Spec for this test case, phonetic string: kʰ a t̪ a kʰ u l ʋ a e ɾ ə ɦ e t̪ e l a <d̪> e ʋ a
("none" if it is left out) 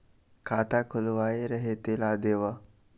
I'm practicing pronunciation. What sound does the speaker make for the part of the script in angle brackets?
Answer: d̪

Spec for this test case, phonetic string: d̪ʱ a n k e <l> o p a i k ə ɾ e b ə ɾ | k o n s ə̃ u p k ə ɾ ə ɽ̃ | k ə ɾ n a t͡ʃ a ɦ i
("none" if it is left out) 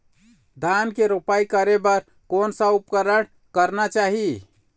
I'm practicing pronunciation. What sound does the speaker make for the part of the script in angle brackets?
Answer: ɾ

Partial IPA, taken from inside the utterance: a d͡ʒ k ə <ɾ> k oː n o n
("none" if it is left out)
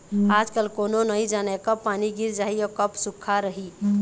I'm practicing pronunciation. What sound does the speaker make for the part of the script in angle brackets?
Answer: l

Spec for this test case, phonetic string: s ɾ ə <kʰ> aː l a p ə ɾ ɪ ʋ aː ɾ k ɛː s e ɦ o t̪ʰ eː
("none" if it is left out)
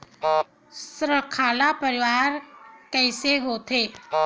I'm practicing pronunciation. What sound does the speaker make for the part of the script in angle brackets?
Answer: kʰ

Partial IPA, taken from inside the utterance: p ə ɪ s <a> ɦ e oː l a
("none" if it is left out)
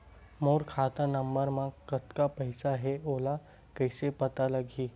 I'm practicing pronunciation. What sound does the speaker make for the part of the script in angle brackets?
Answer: a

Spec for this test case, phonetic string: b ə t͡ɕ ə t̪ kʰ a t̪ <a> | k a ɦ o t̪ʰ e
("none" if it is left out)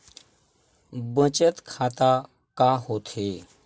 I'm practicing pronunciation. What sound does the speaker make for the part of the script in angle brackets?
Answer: a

